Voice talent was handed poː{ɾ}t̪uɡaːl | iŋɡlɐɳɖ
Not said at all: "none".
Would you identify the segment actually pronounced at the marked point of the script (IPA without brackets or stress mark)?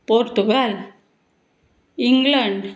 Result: ɾ